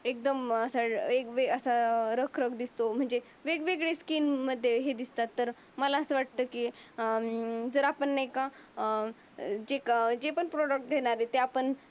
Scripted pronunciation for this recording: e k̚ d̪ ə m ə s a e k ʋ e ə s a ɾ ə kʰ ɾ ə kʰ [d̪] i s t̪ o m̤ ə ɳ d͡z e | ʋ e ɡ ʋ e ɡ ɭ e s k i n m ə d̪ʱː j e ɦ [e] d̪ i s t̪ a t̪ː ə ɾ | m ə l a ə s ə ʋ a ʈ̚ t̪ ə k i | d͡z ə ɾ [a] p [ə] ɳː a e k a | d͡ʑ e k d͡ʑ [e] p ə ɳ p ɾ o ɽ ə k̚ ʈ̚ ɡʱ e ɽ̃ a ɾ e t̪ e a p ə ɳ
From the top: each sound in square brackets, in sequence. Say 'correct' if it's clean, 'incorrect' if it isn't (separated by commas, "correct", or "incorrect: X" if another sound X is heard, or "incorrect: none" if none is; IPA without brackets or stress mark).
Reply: correct, correct, correct, correct, correct